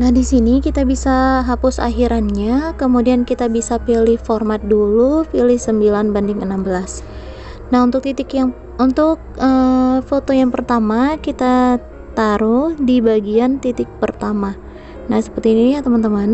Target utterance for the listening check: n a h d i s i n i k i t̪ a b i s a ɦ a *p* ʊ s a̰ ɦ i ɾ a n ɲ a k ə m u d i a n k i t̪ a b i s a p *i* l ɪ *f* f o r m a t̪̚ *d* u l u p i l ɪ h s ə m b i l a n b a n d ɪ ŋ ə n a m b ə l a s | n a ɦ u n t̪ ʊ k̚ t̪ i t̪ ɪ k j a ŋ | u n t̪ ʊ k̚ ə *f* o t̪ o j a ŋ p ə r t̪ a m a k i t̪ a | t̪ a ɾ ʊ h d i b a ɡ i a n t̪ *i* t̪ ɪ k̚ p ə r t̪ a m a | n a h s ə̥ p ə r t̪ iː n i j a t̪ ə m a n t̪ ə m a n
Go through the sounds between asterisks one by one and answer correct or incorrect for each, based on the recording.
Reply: correct, correct, incorrect: h, correct, correct, correct

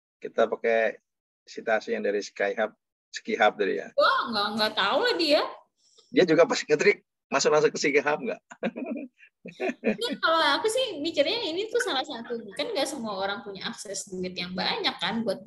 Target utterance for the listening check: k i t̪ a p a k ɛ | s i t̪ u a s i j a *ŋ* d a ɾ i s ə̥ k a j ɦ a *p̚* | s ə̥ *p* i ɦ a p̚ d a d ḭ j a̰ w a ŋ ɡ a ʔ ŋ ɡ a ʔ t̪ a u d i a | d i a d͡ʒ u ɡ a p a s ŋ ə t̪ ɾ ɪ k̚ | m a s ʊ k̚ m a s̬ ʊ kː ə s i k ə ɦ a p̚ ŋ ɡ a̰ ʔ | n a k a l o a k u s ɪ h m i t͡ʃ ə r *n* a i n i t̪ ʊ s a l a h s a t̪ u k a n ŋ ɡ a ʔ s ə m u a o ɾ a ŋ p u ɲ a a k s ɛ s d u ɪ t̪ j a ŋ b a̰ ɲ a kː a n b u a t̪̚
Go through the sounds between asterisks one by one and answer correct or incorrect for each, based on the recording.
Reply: correct, correct, incorrect: k, incorrect: ɲ

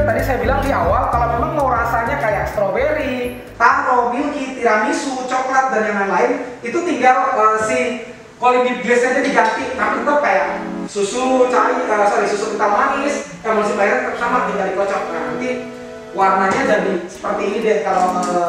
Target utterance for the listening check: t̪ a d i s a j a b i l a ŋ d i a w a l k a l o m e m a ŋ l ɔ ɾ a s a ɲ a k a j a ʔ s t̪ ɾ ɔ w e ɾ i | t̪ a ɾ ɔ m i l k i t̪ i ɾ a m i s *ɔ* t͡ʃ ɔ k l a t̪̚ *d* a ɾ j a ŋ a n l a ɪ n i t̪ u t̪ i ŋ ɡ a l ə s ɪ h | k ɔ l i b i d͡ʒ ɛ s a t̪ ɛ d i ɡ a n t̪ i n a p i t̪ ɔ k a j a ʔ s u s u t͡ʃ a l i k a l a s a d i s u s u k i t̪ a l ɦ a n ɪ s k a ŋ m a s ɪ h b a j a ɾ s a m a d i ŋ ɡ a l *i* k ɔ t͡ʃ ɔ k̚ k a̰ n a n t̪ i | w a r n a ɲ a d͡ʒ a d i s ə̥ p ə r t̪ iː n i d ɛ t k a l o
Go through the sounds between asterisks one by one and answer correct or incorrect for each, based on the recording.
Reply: incorrect: u, correct, correct

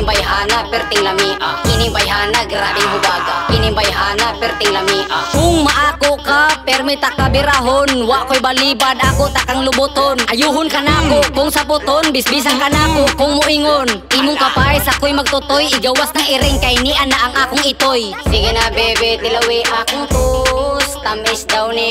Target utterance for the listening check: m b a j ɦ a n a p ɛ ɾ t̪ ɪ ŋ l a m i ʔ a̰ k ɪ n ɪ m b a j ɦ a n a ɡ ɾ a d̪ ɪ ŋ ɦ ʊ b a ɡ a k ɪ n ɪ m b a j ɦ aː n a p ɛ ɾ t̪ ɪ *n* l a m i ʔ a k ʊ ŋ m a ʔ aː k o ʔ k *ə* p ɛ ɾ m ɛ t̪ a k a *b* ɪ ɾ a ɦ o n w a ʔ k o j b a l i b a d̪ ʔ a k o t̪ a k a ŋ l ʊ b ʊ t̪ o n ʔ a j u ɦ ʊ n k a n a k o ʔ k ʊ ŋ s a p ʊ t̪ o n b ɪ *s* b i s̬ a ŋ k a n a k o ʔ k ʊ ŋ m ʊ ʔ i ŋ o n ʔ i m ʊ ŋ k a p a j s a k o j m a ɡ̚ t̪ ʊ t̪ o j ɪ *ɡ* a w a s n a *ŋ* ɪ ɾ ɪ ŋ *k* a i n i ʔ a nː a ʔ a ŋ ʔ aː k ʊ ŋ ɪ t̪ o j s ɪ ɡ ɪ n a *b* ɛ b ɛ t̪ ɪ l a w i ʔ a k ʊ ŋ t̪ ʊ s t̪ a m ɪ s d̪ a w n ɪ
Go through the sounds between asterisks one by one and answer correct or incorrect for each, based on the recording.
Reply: incorrect: ŋ, incorrect: a, correct, correct, correct, correct, correct, correct

